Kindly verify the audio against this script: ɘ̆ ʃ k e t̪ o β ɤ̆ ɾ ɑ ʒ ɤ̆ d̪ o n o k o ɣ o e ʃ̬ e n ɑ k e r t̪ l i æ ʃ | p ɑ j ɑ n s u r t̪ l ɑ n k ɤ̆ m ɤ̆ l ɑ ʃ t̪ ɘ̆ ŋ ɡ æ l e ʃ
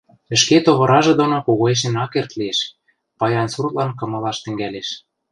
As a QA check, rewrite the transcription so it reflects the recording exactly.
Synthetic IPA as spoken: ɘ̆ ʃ k e t̪ o β ɤ̆ ɾ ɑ ʒ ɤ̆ d̪ o n o k o ɣ o e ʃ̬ e n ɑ k e r t̪ l i e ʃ | p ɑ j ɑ n s u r t̪ l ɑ n k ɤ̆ m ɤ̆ l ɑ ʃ t̪ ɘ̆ ŋ ɡ æ l e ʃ